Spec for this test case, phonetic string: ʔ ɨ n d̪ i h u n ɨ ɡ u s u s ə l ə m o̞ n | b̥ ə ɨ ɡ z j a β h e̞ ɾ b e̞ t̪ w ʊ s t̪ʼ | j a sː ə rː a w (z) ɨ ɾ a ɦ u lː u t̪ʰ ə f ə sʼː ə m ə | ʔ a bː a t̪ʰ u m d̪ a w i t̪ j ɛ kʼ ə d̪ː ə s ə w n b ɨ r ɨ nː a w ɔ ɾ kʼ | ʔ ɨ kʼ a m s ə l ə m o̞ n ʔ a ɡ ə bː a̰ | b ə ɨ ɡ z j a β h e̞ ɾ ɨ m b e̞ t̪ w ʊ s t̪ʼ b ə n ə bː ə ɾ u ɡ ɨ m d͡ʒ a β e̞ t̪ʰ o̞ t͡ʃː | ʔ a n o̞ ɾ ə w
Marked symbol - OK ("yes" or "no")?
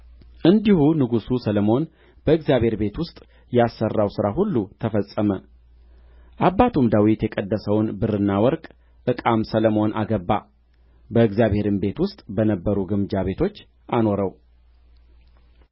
no